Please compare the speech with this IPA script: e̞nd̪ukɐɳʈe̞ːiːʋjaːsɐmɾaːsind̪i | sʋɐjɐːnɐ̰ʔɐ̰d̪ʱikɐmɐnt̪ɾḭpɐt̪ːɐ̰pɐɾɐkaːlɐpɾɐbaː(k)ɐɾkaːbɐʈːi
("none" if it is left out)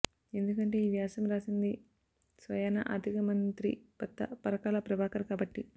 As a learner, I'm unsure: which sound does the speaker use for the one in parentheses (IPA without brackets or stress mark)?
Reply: k